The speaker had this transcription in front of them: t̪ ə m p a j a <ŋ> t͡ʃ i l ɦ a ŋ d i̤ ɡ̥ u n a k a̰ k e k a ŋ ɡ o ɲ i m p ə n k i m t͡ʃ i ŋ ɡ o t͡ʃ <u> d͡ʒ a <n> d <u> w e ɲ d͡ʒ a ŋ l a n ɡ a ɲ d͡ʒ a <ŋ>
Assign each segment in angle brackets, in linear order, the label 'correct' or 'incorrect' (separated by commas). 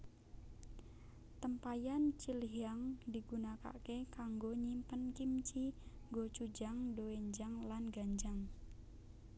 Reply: incorrect, correct, incorrect, incorrect, correct